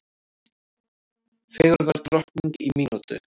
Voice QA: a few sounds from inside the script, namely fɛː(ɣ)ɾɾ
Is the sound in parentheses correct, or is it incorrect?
correct